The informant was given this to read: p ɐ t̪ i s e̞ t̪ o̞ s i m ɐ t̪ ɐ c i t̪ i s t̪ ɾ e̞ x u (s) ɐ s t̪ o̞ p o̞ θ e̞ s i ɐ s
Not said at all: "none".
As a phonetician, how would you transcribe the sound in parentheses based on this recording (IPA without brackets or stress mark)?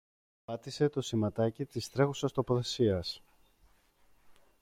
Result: s